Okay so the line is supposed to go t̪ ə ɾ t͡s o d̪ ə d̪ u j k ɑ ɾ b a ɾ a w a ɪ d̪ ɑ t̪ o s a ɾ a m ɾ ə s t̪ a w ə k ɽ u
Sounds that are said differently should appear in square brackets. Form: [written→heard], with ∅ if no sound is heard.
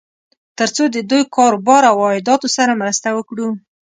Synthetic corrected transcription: t̪ ə ɾ t͡s o d̪ ə d̪ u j k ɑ ɾ b [a→ɑ] ɾ a w [a→ɑ] ɪ d̪ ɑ t̪ o s a ɾ a m ɾ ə s t̪ a w ə k ɽ u